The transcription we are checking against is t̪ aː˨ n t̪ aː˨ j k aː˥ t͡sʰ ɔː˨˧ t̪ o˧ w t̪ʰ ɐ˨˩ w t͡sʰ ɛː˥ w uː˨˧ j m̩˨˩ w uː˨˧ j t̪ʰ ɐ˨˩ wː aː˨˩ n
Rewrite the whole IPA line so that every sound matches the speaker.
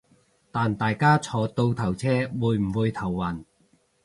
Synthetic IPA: t̪ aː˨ n t̪ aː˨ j k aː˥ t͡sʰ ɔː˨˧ t̪ o˧ w t̪ʰ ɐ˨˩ w t͡sʰ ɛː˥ w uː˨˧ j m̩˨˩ w uː˨˧ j t̪ʰ ɐ˨˩ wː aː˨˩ n